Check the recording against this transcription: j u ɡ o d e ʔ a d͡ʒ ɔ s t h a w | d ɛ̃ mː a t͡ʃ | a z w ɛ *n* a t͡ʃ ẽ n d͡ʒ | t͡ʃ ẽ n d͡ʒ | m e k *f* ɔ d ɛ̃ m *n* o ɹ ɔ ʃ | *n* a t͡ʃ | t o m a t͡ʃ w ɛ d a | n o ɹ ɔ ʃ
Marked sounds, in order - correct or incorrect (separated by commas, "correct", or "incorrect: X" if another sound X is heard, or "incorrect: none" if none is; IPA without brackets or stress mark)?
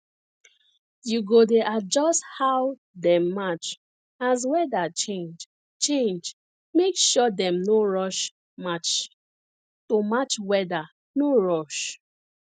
incorrect: d, incorrect: ʃ, correct, incorrect: m